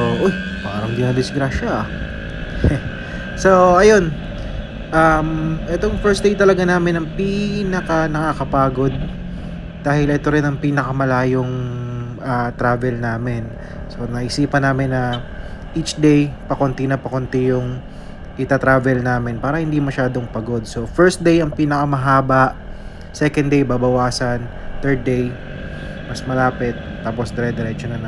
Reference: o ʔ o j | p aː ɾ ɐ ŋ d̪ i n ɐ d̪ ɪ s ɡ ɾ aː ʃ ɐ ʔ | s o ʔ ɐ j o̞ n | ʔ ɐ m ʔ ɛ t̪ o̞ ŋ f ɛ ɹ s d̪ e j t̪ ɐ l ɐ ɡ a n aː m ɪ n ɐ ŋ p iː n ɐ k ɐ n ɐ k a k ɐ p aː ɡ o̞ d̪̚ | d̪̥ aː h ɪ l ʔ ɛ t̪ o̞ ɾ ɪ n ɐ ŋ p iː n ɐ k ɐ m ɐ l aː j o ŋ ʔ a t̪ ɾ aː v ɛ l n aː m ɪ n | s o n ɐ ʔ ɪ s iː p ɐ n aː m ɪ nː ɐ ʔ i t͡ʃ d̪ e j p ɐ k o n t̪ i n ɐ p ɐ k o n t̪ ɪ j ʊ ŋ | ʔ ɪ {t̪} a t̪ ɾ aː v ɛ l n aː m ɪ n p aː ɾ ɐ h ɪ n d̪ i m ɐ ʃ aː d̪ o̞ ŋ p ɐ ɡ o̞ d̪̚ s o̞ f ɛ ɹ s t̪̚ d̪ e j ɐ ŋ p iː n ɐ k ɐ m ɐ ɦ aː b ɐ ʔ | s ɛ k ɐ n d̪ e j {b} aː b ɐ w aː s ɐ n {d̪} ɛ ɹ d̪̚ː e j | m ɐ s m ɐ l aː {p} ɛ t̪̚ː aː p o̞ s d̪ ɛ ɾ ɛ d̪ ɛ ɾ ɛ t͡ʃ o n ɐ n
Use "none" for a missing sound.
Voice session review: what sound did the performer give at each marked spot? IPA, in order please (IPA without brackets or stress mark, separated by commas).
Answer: t̪, b, t̪, p